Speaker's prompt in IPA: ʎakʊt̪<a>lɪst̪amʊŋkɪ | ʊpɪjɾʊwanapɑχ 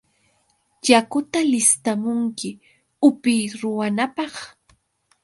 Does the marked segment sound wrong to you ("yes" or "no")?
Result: no